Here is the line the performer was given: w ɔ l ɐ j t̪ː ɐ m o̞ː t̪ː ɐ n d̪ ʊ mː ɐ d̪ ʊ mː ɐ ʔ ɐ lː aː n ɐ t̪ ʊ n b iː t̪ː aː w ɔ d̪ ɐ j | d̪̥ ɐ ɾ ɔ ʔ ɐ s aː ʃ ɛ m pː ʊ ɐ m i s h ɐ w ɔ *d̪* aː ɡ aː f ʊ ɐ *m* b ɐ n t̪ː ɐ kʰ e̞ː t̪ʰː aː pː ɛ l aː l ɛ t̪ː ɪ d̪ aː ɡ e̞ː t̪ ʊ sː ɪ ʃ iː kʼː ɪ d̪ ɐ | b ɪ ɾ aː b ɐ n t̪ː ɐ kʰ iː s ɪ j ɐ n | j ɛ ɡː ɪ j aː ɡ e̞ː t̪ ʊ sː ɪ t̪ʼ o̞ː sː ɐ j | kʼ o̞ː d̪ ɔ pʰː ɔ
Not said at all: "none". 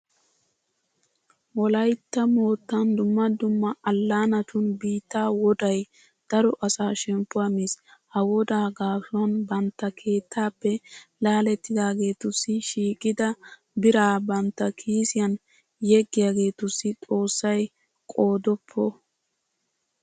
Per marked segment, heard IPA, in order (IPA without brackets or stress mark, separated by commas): d̪, n